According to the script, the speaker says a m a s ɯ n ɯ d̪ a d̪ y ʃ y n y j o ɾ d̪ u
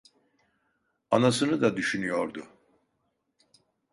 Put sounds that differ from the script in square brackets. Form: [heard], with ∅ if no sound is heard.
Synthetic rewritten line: a [n] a s ɯ n ɯ d̪ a d̪ y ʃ y n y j o ɾ d̪ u

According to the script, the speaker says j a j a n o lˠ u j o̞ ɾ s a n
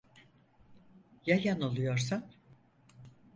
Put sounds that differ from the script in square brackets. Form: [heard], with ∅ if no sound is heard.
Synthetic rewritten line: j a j a n o lˠ u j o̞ ɾ s a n

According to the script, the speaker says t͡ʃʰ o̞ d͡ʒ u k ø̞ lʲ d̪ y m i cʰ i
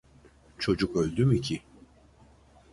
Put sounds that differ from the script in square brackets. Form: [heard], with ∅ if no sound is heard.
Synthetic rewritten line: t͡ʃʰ o̞ d͡ʒ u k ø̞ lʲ d̪ y m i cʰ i

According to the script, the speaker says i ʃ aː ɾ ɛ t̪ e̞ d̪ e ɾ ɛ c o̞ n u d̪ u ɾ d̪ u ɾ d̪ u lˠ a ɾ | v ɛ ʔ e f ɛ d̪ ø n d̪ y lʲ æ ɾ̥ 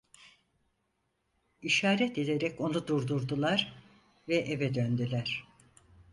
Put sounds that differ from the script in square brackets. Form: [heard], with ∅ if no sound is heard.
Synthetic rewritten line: i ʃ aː ɾ ɛ t̪ e̞ d̪ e ɾ ɛ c o̞ n u d̪ u ɾ d̪ u ɾ d̪ u lˠ a ɾ | v ɛ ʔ e [v] ɛ d̪ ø n d̪ y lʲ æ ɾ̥

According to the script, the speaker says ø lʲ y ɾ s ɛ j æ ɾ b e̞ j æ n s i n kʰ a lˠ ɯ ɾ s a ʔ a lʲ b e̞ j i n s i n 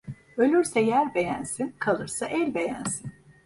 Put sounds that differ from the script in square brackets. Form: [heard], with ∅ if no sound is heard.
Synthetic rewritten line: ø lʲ y ɾ s ɛ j æ ɾ b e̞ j æ n s i n kʰ a lˠ ɯ ɾ s a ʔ [ɛ] lʲ b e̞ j [æ] n s i n

